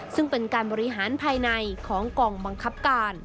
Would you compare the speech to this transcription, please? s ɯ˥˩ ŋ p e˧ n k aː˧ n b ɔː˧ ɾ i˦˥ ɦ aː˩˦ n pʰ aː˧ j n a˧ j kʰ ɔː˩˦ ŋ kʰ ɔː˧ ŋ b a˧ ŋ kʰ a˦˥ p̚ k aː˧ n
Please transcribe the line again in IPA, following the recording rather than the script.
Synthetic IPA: s ɯ˥˩ ŋ p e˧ n k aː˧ n b ɔː˧ ɾ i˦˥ ɦ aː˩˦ n pʰ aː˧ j n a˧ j kʰ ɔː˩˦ ŋ k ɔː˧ ŋ b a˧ ŋ kʰ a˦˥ p̚ k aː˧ n